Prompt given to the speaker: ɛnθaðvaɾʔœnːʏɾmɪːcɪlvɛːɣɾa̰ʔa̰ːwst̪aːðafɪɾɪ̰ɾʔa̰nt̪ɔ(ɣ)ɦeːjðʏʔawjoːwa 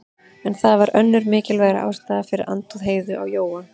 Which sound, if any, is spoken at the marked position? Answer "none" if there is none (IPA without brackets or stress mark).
ð